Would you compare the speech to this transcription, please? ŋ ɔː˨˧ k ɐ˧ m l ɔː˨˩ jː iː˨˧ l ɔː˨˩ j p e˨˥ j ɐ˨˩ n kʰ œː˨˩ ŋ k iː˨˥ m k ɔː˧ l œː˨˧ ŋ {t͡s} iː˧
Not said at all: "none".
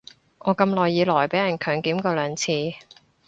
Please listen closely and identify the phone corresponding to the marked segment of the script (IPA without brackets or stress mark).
t͡sʰ